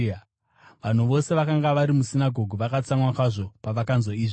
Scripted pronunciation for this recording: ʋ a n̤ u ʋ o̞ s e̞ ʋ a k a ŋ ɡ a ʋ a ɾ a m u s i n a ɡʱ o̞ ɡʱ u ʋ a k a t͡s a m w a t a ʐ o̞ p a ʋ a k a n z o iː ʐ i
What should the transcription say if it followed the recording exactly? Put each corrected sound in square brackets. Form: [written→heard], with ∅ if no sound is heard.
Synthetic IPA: ʋ a n̤ u ʋ o̞ s e̞ ʋ a k a ŋ ɡ a ʋ a ɾ [a→i] m u s i n a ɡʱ o̞ ɡʱ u ʋ a k a t͡s a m w a [t→k] a ʐ o̞ p a ʋ a k a n z o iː ʐ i